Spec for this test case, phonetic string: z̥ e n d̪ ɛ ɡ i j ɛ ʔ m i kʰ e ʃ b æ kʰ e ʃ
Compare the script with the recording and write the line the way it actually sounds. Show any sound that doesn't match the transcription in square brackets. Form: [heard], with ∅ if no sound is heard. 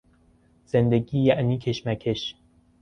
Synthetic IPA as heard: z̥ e n d̪ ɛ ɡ i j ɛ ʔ [n] i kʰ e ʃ [m] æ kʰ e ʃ